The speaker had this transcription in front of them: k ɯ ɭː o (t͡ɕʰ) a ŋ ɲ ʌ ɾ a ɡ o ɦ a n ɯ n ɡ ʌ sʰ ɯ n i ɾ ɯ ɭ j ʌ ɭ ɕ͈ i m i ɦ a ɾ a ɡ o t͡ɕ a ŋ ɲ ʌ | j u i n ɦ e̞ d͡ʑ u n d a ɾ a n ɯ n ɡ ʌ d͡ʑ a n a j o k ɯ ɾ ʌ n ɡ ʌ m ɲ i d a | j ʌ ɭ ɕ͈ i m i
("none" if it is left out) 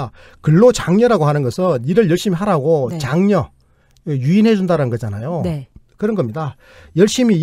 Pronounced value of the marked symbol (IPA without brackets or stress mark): t͡ɕ